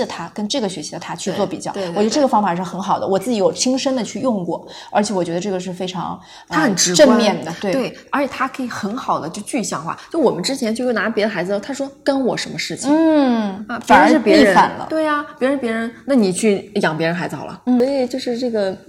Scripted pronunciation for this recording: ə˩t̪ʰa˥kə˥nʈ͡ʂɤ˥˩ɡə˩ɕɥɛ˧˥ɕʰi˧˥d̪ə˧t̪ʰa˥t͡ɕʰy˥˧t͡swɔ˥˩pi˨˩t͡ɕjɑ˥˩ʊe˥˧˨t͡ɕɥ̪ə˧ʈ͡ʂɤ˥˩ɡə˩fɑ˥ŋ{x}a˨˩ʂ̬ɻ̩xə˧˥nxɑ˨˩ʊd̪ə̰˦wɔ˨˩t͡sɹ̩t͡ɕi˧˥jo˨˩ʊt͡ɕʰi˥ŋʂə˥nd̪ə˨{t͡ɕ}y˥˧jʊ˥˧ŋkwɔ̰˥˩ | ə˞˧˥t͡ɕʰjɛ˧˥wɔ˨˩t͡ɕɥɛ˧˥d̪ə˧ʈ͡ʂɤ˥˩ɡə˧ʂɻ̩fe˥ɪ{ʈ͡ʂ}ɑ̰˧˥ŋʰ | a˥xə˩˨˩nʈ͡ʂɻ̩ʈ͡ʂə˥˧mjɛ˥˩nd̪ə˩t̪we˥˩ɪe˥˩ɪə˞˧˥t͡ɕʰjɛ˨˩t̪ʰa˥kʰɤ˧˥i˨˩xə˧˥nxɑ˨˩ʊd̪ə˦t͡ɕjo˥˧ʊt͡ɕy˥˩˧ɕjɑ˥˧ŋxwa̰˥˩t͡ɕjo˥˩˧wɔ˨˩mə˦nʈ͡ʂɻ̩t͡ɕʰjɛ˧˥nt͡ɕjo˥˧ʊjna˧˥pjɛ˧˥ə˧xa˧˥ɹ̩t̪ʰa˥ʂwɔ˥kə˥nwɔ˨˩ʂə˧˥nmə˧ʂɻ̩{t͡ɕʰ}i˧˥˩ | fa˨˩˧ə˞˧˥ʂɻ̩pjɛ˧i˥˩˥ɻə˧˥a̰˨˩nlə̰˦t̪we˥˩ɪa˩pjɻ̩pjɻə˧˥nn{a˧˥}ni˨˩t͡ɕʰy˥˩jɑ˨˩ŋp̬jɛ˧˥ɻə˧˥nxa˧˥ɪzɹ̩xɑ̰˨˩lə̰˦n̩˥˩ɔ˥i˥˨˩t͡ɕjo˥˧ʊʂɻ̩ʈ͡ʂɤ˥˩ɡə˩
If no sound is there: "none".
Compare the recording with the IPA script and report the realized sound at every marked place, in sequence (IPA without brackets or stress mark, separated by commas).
f, t͡ɕʰ, ʈ͡ʂʰ, t͡ɕʰ, a˥˩